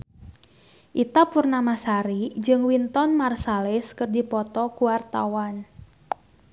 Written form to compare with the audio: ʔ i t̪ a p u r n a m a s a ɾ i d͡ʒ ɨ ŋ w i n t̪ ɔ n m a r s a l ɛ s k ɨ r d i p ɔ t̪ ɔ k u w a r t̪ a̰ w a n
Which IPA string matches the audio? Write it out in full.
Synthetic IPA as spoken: ʔ i t̪ a p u r n a m a s a ɾ i d͡ʒ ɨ ŋ w i n t̪ ɔ n m a r s a l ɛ s k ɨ r d i p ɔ t̪ ɔ k u w a r t̪ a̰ w a n

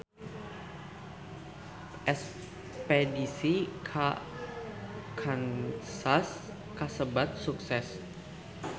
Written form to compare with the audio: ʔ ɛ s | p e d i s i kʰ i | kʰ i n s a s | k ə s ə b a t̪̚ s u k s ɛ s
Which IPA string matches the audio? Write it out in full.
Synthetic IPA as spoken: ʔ ɛ s | p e d i s i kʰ a | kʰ a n s a s | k a s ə b a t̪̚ s u k s ɛ s

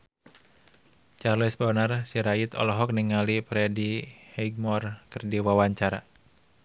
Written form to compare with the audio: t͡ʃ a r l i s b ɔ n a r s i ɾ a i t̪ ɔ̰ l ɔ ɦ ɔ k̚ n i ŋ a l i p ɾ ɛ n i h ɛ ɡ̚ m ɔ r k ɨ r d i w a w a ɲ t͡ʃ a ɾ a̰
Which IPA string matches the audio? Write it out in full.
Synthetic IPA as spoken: t͡ʃ a r l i s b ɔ n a r s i ɾ a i t̪ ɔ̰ l ɔ ɦ ɔ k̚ n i ŋ a l i p ɾ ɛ d i h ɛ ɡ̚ m ɔ r k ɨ r d i w a w a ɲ t͡ʃ a ɾ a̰

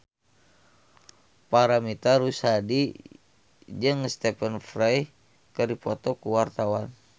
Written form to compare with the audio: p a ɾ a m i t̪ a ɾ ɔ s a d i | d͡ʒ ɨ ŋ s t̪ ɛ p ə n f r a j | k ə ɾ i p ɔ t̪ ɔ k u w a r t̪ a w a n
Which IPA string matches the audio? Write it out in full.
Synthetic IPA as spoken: p a ɾ a m i t̪ a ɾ u s a d i | d͡ʒ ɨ ŋ s t̪ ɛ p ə n f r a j | k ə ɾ i p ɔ t̪ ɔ k u w a r t̪ a w a n

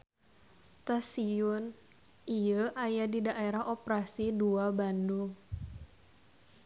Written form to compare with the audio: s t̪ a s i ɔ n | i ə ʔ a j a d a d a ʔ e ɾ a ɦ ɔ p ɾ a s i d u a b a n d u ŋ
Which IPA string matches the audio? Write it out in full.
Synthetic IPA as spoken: s t̪ a s i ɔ n | i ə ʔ a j a d i d a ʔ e ɾ a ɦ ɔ p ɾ a s i d u a b a n d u ŋ

